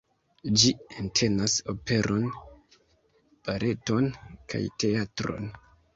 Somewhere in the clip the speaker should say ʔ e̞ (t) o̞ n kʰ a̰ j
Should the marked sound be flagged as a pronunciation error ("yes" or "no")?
no